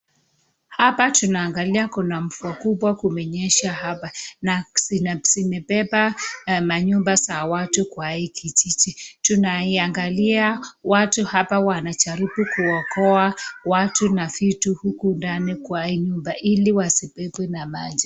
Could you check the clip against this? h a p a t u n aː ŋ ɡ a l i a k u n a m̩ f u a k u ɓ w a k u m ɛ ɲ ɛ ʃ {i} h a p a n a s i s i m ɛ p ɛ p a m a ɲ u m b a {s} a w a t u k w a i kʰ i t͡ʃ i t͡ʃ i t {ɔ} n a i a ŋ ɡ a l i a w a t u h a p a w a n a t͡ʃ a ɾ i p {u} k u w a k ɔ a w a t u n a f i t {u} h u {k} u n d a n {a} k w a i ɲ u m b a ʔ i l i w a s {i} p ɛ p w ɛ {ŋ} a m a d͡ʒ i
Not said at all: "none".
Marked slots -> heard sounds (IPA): a, s, u, u, u, k, i, i, n

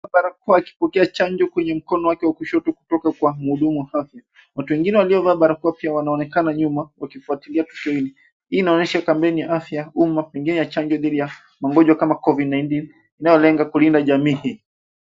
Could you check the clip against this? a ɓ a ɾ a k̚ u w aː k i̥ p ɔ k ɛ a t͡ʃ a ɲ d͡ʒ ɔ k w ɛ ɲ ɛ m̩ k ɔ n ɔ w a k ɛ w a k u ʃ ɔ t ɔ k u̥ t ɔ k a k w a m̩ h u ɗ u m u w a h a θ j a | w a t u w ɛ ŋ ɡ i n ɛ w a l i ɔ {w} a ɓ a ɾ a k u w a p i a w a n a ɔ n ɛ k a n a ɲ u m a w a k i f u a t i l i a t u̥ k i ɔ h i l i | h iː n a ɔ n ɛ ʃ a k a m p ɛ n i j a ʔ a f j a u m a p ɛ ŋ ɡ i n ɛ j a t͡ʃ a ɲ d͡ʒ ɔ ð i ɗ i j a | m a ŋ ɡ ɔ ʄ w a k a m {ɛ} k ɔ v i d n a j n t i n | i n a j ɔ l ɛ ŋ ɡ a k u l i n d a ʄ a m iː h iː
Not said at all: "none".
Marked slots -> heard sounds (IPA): v, a

